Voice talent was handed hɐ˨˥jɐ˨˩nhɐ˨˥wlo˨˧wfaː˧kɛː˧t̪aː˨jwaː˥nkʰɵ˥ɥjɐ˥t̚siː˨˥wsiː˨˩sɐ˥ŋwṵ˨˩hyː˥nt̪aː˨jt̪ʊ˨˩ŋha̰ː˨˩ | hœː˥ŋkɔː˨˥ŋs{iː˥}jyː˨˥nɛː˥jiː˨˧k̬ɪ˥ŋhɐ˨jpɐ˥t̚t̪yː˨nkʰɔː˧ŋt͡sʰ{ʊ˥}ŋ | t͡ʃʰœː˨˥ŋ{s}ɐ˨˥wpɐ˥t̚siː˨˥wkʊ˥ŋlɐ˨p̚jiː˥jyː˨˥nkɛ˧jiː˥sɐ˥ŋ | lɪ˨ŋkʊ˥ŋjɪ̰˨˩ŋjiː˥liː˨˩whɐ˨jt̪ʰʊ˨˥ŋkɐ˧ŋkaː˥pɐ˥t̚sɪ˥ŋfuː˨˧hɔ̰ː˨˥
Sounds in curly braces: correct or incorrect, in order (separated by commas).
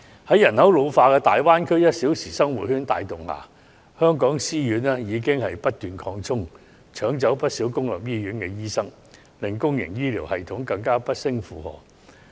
correct, correct, incorrect